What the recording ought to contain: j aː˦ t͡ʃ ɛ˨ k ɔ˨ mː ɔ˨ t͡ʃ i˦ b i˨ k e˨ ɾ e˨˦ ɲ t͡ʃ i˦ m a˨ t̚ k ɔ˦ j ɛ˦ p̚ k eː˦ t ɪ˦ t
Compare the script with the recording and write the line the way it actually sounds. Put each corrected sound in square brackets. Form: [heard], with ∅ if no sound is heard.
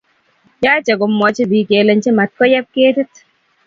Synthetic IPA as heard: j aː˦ t͡ʃ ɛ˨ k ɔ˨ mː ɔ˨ t͡ʃ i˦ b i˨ k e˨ [l] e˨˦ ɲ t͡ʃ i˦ m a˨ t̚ k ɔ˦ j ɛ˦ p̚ k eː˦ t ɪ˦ t